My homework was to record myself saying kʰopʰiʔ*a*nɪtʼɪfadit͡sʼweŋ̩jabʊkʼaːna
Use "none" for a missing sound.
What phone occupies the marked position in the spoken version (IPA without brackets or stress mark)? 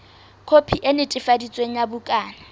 e